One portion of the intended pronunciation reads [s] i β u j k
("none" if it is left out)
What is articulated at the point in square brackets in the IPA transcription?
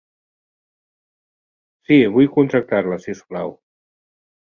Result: s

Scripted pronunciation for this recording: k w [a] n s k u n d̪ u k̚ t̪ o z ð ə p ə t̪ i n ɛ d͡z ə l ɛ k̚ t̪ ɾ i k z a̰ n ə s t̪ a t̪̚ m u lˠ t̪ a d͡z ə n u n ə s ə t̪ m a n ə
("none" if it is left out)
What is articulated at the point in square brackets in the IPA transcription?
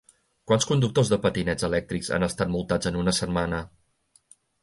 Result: a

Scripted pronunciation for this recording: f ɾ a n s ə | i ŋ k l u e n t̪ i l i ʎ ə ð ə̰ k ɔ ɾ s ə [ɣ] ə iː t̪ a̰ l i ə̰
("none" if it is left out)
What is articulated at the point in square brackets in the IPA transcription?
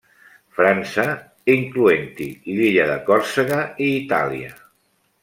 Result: ɣ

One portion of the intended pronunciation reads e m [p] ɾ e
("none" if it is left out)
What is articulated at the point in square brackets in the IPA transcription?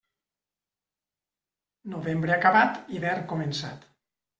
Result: b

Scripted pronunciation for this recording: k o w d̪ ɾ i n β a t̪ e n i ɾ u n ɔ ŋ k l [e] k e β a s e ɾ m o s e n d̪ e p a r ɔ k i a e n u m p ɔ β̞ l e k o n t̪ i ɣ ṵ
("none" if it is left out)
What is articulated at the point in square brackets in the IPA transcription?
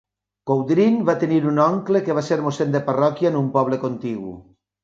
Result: e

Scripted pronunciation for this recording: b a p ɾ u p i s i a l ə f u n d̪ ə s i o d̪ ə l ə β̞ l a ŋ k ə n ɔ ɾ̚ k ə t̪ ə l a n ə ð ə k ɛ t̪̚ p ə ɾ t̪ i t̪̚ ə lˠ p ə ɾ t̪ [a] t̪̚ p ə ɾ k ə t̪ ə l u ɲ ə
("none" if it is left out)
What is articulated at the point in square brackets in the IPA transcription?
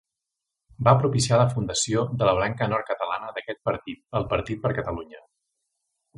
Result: i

